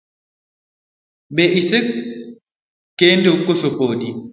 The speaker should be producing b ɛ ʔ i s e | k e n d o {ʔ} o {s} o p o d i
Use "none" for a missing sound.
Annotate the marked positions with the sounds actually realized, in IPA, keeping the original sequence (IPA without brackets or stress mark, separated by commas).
k, s